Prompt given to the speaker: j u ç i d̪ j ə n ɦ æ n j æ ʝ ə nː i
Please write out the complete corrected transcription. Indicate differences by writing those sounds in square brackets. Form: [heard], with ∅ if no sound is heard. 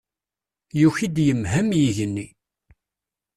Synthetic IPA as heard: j u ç i d̪ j ə [m] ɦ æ [m] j [i] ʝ ə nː i